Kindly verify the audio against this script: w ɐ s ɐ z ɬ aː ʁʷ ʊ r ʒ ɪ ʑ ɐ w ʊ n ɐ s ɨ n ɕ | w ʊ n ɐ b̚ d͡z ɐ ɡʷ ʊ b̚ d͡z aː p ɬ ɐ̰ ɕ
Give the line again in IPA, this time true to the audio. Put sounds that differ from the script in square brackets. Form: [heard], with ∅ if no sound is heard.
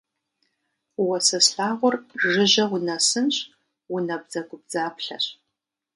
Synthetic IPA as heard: w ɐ s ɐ [s] ɬ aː ʁʷ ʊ r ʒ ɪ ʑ ɐ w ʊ n ɐ s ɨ n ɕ | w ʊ n ɐ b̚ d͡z ɐ ɡʷ ʊ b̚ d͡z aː p ɬ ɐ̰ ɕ